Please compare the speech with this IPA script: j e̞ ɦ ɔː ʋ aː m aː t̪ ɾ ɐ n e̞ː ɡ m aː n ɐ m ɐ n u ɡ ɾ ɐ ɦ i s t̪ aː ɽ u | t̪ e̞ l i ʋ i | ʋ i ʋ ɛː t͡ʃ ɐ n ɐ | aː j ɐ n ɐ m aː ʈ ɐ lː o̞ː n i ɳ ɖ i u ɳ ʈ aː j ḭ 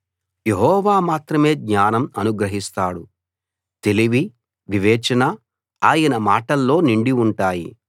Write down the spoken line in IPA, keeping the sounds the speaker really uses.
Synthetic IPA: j e̞ ɦ ɔː ʋ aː m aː t̪ ɾ ɐ m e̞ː ɡ ɲ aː n ɐ m ɐ n u ɡ ɾ ɐ ɦ i s t̪ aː ɽ u | t̪ e̞ l i ʋ i | ʋ i ʋ ɛː t͡ʃ ɐ n ɐ | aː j ɐ n ɐ m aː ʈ ɐ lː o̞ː n i ɳ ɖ i u ɳ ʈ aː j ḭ